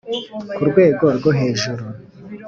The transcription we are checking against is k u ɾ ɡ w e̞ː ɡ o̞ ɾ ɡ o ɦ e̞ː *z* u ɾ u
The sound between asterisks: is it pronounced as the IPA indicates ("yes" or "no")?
no